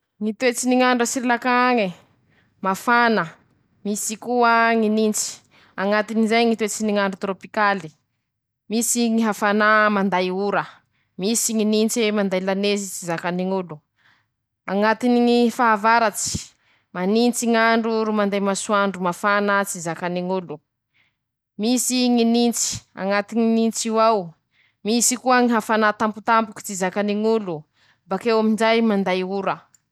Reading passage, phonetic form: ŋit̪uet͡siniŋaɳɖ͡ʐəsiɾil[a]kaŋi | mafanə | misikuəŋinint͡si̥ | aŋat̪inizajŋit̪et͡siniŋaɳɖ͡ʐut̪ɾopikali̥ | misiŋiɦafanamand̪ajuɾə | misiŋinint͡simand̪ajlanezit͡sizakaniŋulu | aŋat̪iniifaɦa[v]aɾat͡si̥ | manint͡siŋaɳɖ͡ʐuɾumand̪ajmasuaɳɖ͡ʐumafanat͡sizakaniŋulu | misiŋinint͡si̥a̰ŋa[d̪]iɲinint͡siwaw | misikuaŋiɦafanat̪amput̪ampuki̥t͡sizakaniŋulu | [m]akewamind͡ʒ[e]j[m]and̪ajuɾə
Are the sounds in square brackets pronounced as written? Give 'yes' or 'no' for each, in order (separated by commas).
yes, yes, no, no, no, yes